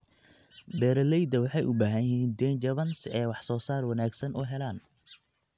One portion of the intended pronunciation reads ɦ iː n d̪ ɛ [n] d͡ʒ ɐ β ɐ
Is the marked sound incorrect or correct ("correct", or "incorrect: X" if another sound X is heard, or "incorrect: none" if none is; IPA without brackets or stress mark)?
correct